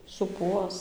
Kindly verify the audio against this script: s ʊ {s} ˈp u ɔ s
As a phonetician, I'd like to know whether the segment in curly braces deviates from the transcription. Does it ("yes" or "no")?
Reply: yes